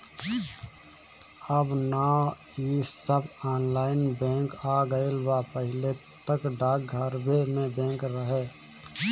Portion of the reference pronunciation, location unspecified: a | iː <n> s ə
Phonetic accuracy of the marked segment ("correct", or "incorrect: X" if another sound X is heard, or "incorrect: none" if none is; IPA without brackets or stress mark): incorrect: none